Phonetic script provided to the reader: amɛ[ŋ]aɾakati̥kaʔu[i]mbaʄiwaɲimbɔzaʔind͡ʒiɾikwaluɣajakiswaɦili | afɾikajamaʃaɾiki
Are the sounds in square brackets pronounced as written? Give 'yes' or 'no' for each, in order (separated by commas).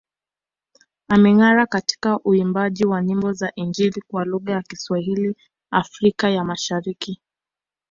yes, yes